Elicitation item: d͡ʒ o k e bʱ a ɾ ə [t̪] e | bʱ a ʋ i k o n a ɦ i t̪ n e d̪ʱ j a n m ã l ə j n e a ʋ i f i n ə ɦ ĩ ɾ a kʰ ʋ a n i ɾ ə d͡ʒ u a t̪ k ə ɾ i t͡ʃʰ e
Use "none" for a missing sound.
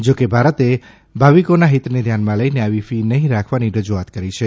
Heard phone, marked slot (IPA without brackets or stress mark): t̪